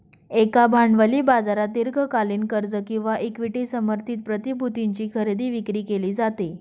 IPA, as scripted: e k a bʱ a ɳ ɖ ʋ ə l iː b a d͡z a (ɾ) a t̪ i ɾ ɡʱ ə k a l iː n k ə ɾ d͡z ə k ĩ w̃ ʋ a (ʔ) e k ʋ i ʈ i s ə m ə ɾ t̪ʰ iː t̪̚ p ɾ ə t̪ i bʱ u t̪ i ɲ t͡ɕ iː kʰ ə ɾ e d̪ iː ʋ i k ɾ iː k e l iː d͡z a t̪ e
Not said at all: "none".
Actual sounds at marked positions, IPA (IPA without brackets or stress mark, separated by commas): ɾ, ʔ